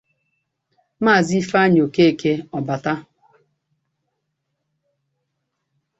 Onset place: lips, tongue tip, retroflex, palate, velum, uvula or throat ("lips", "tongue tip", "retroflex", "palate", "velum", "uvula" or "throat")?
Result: lips